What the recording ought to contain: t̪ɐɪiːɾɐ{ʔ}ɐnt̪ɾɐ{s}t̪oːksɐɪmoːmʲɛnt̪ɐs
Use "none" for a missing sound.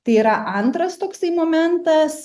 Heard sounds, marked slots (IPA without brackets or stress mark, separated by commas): ʔ, s